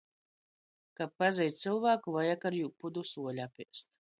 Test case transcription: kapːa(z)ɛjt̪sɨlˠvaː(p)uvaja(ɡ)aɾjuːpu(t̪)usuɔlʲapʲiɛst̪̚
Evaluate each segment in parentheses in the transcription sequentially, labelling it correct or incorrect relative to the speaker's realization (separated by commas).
correct, incorrect, incorrect, incorrect